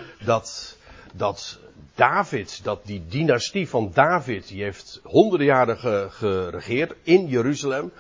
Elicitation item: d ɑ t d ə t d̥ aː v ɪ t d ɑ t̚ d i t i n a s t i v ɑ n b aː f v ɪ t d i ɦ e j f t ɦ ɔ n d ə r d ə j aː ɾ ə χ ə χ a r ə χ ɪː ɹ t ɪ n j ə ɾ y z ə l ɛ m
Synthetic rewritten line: d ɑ t d ɑ t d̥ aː v ɪ t d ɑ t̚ d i d i n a s t i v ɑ n d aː v ɪ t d i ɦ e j f t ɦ ɔ n d ə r d ə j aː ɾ ə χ ə χ ə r ə χ ɪː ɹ t ɪ n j ə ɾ y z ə l ɛ m